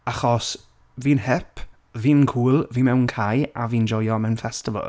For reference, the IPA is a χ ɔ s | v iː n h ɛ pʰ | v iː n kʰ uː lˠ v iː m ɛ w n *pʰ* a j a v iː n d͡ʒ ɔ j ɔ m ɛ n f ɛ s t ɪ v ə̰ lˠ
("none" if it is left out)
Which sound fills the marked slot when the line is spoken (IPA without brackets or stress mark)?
kʰ